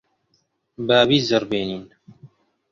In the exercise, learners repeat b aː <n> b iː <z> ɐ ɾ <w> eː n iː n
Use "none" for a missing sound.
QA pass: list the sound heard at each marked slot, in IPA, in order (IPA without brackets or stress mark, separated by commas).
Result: none, z, b